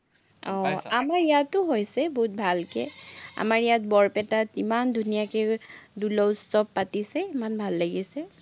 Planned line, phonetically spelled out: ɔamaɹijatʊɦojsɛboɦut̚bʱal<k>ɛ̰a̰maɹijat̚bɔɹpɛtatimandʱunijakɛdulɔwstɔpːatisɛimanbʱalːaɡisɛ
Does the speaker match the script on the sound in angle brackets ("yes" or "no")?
yes